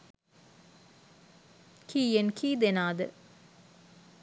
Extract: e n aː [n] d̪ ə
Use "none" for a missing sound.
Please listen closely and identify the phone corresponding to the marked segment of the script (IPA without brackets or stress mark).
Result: none